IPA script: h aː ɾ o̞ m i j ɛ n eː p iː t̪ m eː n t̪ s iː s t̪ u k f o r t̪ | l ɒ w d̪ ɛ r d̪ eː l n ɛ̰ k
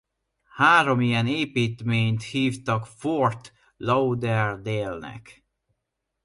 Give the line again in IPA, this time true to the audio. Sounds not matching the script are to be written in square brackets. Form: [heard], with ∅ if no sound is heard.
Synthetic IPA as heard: h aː ɾ o̞ m i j ɛ n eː p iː t̪ m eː [ɲ] t̪ [h] iː [f] t̪ [ɒ] k f o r t̪ | l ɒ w d̪ ɛ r d̪ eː l n ɛ̰ k